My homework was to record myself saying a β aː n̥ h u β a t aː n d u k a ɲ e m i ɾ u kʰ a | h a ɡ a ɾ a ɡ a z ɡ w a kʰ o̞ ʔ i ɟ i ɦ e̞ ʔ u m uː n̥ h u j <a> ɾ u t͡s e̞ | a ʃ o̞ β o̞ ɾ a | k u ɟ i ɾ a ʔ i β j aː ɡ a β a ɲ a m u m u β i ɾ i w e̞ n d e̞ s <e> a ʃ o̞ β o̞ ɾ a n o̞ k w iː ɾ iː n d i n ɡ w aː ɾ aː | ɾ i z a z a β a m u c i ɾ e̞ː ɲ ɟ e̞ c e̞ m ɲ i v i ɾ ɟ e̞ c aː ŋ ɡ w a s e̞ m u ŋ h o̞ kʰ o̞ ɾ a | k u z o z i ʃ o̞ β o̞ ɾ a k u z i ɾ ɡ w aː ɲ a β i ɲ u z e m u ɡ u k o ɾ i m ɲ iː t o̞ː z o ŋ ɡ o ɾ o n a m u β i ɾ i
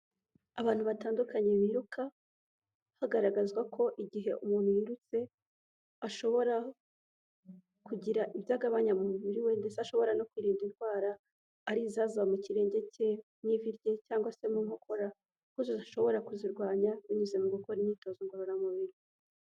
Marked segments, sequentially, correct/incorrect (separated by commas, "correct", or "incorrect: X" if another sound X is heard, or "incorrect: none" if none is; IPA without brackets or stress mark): incorrect: i, correct